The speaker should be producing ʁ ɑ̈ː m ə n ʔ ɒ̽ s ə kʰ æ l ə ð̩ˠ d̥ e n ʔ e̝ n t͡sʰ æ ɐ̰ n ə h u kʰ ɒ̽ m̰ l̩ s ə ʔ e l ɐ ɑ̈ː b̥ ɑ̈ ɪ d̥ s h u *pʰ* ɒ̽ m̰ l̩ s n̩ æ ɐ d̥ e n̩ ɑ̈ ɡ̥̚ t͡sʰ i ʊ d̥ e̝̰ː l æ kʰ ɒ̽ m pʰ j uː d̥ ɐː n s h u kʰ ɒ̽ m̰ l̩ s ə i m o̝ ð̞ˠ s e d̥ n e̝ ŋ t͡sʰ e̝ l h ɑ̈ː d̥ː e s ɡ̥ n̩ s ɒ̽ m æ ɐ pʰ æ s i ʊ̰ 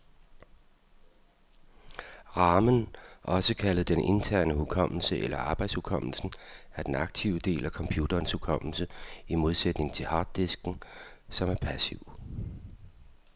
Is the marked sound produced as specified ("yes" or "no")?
no